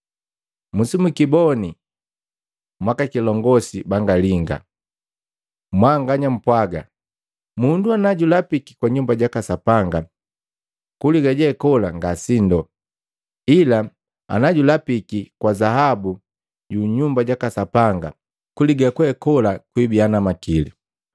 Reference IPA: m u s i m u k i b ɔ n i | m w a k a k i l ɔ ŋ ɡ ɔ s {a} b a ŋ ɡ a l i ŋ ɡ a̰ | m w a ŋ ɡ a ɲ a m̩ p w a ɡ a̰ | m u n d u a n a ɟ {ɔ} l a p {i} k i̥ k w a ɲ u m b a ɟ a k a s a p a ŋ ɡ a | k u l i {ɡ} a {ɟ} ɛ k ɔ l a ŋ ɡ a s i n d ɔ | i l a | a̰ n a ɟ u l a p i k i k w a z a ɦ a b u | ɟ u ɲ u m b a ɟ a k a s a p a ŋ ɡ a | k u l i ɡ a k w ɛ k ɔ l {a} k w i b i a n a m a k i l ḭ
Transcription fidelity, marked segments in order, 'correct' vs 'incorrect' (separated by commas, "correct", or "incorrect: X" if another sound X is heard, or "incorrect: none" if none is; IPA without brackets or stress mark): incorrect: i, incorrect: u, correct, correct, correct, correct